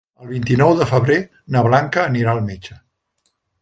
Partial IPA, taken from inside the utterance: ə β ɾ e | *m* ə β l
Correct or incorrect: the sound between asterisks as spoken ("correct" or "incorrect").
incorrect